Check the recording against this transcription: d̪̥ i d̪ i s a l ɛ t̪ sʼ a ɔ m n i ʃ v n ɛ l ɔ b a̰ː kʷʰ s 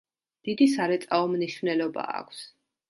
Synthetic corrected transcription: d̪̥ i d̪ i s a ɾ ɛ t̪ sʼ a ɔ m n i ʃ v n ɛ l ɔ b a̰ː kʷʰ s